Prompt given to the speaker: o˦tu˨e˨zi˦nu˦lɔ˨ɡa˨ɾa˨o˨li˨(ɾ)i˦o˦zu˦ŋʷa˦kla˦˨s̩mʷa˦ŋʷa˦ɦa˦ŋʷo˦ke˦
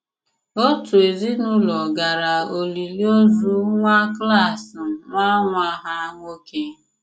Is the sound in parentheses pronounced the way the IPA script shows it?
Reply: no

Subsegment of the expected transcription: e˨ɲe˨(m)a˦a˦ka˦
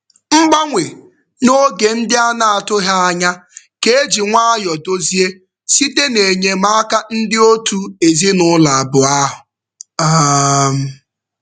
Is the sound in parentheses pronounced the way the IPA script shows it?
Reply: yes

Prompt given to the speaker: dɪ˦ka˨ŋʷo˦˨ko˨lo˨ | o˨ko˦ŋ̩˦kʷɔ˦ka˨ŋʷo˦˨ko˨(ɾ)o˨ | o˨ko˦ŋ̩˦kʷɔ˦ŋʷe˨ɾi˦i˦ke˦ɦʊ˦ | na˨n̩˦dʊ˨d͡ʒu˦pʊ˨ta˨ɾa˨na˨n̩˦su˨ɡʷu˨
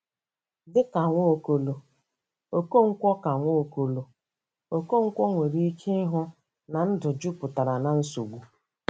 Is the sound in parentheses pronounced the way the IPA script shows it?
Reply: no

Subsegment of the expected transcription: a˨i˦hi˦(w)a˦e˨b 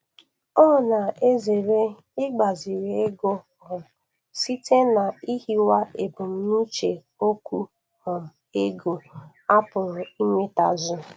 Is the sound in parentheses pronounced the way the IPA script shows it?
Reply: yes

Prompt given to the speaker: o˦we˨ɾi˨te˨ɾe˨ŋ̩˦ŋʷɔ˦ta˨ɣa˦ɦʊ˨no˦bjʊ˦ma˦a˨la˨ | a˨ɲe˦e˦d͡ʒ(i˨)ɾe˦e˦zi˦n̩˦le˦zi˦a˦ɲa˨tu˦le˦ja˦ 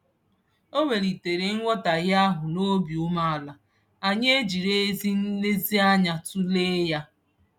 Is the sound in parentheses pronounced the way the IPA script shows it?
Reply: yes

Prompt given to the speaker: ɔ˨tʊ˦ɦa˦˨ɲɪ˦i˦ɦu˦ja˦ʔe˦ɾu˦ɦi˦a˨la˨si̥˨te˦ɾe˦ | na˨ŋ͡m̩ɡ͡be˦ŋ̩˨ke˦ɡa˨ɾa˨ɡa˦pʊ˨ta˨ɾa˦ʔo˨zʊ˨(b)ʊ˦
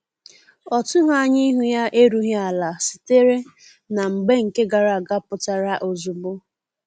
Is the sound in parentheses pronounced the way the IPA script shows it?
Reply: yes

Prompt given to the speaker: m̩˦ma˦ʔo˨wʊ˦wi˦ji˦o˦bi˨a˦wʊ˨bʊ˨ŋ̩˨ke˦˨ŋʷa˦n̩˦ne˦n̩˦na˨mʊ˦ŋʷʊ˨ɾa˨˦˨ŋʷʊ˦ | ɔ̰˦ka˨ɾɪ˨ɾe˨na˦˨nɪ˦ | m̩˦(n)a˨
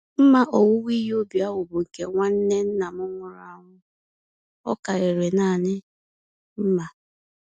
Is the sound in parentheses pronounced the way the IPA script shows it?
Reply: no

